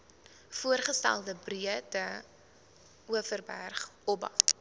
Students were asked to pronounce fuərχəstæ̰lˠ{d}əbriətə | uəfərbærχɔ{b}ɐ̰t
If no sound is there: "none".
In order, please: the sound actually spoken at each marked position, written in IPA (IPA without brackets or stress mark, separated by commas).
d, b